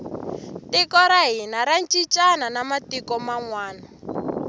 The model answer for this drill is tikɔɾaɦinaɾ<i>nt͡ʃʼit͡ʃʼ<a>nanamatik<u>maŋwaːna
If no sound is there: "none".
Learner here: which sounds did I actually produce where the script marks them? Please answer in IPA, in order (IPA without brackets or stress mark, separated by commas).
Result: a, a, ɔ